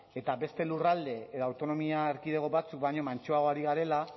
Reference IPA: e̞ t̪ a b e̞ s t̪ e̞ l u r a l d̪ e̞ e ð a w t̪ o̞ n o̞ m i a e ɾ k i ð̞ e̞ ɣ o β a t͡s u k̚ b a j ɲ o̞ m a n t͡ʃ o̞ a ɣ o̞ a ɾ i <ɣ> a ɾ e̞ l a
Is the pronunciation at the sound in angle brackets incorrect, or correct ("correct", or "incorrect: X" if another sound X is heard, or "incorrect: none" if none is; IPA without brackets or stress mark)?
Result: correct